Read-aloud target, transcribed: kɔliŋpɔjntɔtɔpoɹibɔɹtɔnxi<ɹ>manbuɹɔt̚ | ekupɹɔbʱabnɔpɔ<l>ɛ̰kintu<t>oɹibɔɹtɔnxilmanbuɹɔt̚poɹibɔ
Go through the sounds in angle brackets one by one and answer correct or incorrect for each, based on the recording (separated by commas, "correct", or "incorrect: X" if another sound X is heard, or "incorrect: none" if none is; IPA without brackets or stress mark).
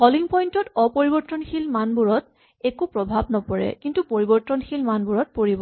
incorrect: l, incorrect: ɹ, incorrect: p